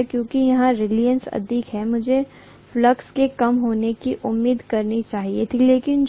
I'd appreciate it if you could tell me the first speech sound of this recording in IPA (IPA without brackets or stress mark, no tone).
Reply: k